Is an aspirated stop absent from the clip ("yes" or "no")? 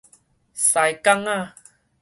yes